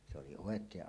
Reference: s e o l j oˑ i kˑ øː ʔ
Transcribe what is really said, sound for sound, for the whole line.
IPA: s e o l i oˑ e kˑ eː ʔ